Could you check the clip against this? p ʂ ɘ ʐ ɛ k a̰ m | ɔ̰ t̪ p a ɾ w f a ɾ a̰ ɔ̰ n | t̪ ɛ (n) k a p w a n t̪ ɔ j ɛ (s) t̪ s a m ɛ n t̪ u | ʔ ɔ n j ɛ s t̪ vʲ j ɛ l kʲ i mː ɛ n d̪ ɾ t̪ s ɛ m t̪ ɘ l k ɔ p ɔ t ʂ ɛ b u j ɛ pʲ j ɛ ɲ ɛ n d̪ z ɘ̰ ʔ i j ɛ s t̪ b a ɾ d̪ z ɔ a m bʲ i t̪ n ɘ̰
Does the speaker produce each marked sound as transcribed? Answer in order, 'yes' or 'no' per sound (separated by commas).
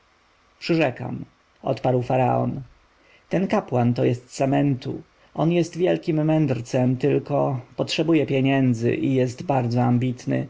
yes, yes